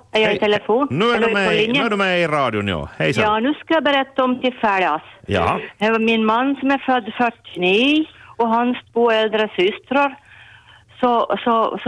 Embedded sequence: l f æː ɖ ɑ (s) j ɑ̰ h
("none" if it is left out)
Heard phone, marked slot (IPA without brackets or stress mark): s